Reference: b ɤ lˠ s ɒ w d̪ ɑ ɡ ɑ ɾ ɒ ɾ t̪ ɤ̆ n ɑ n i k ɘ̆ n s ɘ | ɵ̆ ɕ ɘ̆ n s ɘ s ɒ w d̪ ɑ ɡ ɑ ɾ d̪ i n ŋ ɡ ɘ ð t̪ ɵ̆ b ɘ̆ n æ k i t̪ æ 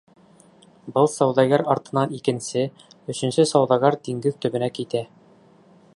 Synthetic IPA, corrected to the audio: b ɤ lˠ s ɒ w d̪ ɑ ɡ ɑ ɾ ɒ ɾ t̪ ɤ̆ n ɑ n i k ɘ̆ n s ɘ | ɵ̆ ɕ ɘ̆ n s ɘ s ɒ w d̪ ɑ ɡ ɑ ɾ d̪ i ŋ ɡ ɘ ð t̪ ɵ̆ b ɘ̆ n æ k i t̪ æ